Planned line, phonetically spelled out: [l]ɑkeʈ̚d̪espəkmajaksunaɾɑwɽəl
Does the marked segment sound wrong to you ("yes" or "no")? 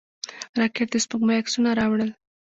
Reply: yes